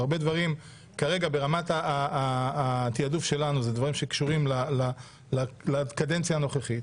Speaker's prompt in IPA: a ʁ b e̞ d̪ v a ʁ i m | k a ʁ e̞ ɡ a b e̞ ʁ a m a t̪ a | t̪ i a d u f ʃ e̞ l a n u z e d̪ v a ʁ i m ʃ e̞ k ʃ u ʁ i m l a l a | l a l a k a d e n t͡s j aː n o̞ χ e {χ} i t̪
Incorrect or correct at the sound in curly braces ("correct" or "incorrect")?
correct